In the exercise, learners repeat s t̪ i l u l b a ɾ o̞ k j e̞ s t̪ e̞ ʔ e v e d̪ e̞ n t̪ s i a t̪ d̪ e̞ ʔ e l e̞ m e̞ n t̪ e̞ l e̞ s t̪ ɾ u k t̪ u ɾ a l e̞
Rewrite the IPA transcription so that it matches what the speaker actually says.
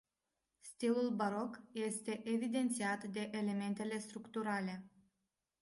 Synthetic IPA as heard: s t̪ i l u l b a ɾ o̞ k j e̞ s t̪ e̞ ʔ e v i d̪ e̞ n t̪ s i a t̪ d̪ e̞ ʔ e l e̞ m e̞ n t̪ e̞ l e̞ s t̪ ɾ u k t̪ u ɾ a l e̞